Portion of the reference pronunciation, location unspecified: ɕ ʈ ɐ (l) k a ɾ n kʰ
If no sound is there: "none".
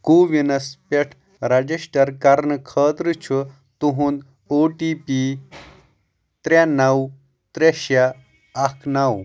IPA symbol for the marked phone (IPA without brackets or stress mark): ɾ